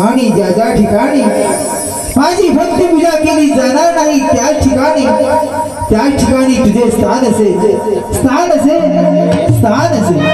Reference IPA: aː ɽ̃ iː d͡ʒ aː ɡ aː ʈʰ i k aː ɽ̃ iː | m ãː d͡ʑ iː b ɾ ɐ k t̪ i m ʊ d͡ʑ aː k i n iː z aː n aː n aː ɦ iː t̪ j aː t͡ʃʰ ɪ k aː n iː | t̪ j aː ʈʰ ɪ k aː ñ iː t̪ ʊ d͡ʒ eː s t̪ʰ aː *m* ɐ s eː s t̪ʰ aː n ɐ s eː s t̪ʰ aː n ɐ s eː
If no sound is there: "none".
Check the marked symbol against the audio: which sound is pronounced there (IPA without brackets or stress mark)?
n